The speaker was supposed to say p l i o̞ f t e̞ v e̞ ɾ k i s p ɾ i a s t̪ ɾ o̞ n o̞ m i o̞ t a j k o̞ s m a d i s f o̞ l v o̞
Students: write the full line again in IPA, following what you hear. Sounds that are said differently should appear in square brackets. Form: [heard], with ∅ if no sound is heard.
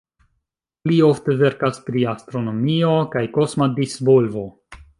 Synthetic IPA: p l i o̞ f t e̞ v e̞ ɾ k [a] s p ɾ i a s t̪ ɾ o̞ n o̞ m i o̞ [k] a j k o̞ s m a d i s [v] o̞ l v o̞